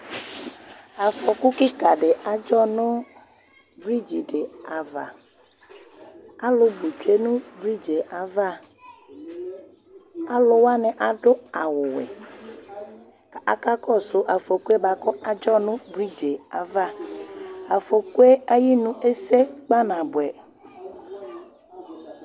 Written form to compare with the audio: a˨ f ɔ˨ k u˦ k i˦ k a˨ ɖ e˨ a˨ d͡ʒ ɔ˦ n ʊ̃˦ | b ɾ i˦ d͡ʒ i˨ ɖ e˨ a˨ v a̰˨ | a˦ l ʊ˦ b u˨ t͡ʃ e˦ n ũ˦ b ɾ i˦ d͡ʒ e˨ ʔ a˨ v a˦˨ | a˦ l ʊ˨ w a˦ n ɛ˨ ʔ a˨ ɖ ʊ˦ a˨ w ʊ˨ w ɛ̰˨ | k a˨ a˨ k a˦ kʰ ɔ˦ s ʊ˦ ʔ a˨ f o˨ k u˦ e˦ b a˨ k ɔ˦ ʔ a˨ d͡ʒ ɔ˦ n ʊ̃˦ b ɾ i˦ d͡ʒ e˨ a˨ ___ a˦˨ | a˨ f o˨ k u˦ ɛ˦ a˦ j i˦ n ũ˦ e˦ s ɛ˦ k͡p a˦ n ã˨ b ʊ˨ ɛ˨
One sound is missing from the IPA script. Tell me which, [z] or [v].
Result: v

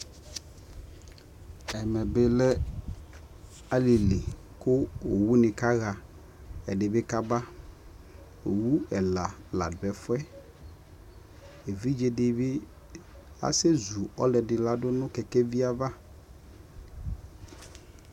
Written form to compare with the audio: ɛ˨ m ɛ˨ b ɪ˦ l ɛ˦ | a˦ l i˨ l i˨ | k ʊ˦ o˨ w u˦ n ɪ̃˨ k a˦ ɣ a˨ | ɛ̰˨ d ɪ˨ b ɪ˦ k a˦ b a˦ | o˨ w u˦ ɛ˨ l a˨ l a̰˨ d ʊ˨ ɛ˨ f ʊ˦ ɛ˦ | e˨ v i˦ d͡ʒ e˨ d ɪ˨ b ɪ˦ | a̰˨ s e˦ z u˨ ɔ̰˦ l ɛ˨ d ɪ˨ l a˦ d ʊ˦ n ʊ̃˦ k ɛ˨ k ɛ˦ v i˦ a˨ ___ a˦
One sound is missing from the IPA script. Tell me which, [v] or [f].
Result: v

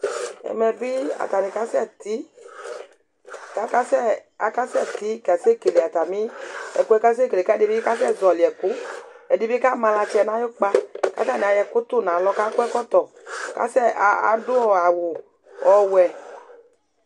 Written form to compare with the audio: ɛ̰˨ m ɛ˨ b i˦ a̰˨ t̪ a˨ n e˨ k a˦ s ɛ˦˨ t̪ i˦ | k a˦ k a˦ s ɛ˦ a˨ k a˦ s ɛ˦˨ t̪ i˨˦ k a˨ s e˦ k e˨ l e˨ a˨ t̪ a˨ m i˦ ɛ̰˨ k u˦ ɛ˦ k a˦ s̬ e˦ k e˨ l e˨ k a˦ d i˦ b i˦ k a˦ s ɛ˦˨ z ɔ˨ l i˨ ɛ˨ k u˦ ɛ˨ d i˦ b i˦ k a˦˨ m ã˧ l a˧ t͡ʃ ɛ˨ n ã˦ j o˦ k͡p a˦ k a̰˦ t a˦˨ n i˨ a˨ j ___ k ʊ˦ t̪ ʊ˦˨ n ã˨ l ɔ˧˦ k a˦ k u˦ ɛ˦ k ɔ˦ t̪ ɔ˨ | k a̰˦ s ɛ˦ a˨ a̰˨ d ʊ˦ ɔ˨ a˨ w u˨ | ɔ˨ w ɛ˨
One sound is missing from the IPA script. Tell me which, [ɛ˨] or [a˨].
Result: ɛ˨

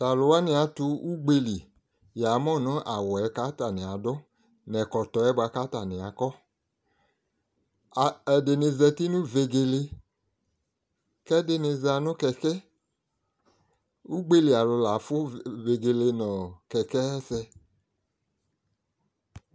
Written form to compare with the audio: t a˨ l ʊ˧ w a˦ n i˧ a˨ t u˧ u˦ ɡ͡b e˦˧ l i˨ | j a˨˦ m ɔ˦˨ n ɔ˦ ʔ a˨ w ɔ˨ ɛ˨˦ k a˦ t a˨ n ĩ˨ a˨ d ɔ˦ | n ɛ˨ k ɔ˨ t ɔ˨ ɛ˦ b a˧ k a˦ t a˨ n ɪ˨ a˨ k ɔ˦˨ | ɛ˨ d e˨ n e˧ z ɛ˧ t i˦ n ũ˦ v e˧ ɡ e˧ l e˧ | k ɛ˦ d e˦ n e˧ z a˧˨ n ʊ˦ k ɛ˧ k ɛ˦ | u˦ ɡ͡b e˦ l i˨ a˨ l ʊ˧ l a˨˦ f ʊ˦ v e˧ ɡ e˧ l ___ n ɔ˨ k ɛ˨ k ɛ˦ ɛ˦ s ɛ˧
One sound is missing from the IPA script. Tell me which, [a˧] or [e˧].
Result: e˧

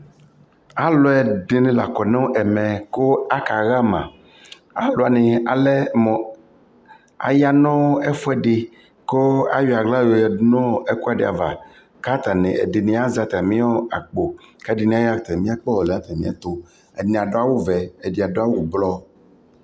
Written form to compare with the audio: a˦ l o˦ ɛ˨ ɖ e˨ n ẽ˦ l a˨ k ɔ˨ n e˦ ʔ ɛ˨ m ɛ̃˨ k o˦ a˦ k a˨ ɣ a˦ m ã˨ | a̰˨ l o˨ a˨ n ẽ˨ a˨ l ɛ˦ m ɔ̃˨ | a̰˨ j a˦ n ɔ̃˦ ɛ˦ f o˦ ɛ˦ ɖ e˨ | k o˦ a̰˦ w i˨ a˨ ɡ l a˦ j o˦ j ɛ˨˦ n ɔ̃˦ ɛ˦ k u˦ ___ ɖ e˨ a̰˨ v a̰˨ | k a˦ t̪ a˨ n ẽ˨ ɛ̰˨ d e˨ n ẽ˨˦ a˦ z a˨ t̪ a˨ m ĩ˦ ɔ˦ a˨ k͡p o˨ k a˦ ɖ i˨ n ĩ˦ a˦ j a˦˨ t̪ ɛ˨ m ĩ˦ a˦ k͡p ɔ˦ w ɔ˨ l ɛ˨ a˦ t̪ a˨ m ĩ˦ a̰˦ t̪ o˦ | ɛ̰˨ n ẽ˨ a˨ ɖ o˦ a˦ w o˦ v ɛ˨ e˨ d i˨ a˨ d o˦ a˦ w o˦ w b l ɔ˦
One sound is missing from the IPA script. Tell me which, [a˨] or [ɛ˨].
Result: a˨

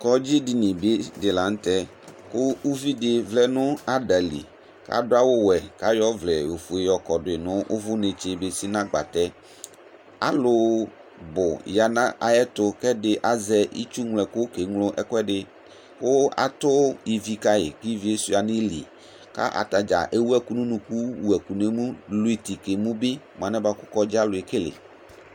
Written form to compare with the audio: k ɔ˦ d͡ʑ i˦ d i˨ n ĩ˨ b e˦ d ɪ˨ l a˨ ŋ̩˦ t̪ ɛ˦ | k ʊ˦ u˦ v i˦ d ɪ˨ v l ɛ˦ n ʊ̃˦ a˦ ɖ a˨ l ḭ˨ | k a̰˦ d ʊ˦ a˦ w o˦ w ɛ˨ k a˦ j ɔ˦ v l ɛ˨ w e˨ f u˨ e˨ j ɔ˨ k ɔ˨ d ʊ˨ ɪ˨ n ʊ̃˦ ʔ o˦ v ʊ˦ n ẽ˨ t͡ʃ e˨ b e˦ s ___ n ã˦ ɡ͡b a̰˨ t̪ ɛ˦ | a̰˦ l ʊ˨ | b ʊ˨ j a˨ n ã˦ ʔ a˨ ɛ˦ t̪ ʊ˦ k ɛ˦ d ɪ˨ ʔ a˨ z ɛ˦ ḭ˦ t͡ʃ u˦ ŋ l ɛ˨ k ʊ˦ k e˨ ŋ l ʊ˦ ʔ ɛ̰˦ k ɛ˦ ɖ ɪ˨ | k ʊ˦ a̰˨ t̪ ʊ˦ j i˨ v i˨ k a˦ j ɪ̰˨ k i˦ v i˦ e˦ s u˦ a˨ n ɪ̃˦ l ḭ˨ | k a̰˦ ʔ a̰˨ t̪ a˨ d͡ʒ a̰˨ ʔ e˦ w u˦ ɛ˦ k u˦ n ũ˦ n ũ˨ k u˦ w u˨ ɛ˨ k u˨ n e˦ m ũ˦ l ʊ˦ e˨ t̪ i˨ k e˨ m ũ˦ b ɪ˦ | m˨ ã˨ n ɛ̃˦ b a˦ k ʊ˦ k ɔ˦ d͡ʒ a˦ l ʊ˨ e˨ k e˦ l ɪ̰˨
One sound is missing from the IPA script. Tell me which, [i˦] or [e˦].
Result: i˦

